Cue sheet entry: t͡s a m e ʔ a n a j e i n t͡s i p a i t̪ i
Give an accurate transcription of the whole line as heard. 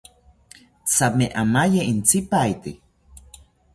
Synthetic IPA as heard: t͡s a m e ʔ a m a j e i n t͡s i p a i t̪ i